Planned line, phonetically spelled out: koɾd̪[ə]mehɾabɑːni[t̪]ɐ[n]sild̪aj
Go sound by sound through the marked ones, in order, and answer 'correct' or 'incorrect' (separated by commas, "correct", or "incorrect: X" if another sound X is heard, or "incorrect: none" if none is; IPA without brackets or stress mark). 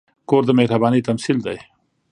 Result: correct, correct, incorrect: m